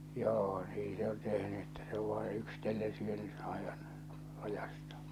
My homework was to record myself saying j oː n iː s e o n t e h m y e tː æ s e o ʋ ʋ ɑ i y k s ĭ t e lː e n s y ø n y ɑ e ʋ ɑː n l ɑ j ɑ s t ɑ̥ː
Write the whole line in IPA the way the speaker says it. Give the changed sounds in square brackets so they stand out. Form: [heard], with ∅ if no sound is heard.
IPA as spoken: j oː n iː s e o n t e h [n] y e tː æ s e o ʋ ʋ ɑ i y k s ĭ t e lː e n s y ø n y ɑ e ʋ [ɑ] n l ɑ j ɑ s t ɑ̥ː

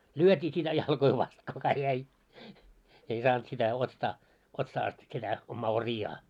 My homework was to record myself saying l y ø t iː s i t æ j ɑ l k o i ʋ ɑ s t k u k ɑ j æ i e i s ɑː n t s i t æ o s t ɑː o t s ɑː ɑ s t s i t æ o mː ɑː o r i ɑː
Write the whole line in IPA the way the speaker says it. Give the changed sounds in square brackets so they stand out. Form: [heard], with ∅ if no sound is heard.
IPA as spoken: l y ø t iː s i t æ j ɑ l k o i ʋ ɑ s t k u k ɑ j æ i e i s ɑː n t s i t æ o s t ɑː o t s ɑː ɑ s t s i t æ o mː ɑː o r i ɑː

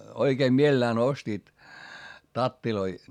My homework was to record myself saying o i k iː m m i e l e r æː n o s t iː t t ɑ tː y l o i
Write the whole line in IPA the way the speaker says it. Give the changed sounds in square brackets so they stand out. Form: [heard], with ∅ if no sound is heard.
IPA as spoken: o i k [eː] m m i e l e [l] æː n o s t iː t t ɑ tː [i] l o i

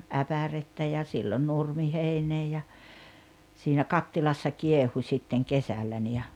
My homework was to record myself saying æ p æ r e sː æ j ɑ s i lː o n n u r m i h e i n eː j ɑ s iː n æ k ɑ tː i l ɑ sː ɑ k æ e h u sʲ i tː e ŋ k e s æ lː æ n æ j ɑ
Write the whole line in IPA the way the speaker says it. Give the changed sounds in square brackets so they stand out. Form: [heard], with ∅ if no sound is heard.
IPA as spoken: æ p æ r e [tː] æ j ɑ s i lː o n n u r m i h e i n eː j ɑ s iː n æ k ɑ tː i l ɑ sː ɑ k [i] e h u sʲ i tː e ŋ k e s æ lː æ n [i] j ɑ

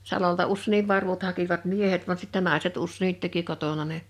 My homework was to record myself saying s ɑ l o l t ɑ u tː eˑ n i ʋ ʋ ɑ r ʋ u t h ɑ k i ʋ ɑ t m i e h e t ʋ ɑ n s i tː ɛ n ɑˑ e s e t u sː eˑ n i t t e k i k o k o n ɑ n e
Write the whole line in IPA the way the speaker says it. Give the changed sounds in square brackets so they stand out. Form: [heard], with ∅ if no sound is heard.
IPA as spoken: s ɑ l o l t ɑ u [sː] eˑ n i ʋ ʋ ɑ r ʋ u t h ɑ k i ʋ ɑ t m i e h e t ʋ ɑ n s i tː ɛ n ɑˑ e s e t u sː eˑ n i t t e k i k o [t] o n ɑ n e

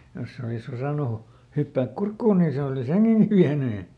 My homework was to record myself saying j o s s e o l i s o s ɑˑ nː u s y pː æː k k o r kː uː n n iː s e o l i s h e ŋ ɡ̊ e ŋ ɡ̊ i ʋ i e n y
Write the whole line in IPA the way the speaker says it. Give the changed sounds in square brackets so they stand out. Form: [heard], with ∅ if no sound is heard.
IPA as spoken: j o s s e o l i s o s ɑˑ [n] u [h] y pː æː k k [u] r kː uː n n iː s e o l i s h e ŋ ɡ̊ e ŋ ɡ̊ i ʋ i [æ] n y

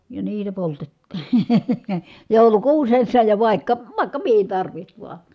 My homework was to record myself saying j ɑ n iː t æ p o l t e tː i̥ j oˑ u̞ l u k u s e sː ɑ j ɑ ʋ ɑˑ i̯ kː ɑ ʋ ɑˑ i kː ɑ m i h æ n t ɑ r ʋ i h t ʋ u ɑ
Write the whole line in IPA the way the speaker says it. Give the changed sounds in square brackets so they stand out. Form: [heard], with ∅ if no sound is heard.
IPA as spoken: j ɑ n iː t æ p o l t e tː i̥ j oˑ u̞ l u k [uː] s e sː ɑ j ɑ ʋ ɑˑ i̯ kː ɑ ʋ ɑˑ i kː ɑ m i h [i] n t ɑ r ʋ i h t ʋ u ɑ

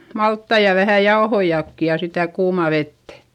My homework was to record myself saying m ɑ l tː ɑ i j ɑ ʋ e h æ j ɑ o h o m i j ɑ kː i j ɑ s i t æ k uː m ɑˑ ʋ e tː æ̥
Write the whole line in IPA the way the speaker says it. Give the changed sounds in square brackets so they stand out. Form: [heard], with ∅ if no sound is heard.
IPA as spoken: m ɑ l tː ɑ i j ɑ ʋ [æ] h æ j ɑ o h o [∅] i j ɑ kː i j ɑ s i t æ k uː m ɑˑ ʋ e tː æ̥

